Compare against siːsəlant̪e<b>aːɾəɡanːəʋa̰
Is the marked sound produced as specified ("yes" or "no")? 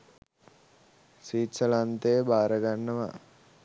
yes